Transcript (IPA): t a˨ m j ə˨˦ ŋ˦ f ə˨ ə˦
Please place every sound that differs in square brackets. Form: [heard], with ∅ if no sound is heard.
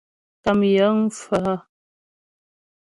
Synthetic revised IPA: t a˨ m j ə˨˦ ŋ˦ f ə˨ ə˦